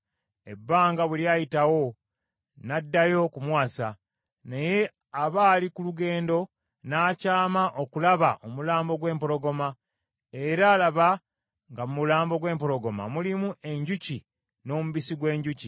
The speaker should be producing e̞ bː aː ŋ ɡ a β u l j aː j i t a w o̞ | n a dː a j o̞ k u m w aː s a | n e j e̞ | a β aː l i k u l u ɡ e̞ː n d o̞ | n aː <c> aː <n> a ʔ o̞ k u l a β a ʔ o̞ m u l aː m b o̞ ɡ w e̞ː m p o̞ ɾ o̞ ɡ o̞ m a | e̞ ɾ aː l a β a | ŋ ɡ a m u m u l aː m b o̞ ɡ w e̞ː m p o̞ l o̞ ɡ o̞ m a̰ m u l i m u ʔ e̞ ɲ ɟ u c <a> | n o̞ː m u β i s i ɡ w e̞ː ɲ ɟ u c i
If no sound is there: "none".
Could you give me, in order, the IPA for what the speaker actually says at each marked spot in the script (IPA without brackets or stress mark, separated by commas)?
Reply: c, m, i